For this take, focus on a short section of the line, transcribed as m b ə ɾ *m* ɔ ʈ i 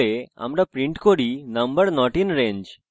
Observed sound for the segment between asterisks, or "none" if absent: n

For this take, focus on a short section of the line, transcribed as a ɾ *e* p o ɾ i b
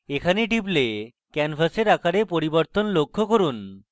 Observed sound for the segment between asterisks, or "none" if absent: e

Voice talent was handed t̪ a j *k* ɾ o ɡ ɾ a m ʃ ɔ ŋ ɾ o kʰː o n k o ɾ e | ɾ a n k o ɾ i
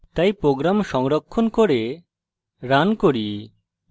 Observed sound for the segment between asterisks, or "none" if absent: p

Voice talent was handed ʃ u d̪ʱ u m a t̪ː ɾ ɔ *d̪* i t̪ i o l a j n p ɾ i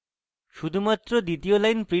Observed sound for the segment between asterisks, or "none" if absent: d̪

